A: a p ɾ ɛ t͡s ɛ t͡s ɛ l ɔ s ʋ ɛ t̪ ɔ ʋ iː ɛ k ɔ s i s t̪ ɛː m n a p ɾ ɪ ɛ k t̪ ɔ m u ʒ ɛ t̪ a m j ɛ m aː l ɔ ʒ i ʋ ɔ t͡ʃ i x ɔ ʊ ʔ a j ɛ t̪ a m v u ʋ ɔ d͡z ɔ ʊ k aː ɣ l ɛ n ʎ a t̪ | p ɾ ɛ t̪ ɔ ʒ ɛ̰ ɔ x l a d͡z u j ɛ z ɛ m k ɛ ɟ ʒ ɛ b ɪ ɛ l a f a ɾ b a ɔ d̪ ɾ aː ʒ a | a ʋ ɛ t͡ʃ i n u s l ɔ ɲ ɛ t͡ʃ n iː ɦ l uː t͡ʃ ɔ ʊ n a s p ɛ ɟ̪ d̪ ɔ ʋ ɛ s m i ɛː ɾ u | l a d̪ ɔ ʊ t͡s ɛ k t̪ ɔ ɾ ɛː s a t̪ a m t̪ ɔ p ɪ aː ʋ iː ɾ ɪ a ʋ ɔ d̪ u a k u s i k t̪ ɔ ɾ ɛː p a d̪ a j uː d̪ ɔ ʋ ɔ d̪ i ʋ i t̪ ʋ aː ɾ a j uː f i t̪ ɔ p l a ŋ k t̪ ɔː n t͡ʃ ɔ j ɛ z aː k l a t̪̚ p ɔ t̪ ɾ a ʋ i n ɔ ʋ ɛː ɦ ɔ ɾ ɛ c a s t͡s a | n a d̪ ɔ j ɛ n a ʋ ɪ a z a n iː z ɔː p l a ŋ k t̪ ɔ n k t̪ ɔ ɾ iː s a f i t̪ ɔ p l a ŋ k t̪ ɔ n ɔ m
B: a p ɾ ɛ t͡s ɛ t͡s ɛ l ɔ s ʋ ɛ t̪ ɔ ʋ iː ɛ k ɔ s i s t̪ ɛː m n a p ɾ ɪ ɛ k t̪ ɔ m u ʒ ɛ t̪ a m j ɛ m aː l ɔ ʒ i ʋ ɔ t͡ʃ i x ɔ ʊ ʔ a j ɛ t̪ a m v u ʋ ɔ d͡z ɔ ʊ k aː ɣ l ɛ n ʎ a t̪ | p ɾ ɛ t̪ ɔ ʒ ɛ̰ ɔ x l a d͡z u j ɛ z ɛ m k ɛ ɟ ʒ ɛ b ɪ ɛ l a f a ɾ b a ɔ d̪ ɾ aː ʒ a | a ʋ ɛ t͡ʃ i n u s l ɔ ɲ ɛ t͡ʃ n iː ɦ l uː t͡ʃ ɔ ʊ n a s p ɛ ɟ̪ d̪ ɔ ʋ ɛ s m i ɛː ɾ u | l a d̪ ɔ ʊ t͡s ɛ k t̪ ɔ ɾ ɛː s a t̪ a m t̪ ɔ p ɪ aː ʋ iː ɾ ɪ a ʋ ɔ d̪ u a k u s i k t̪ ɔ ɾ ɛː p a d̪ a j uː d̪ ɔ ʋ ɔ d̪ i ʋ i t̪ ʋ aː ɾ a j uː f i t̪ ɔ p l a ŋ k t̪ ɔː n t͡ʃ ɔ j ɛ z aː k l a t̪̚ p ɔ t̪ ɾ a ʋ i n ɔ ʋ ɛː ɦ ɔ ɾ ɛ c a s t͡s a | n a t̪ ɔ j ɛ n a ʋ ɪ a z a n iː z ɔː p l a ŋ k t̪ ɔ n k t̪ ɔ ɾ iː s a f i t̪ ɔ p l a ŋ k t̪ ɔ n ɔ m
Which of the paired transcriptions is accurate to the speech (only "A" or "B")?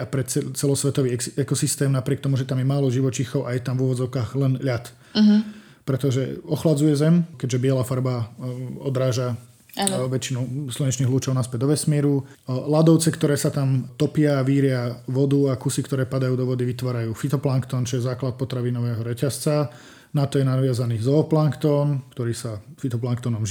B